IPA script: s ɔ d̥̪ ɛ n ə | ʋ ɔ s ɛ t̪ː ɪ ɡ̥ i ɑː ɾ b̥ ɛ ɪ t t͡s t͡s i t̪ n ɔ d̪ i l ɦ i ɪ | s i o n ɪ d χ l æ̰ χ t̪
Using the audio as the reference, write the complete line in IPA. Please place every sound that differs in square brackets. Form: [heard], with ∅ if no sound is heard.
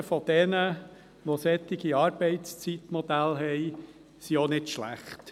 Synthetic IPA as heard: [f] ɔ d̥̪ ɛ n ə | ʋ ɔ s ɛ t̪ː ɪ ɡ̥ i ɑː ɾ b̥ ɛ ɪ t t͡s t͡s i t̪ [m] ɔ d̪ [æ] l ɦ [ɛ] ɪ | s i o n ɪ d [ʃ] l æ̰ χ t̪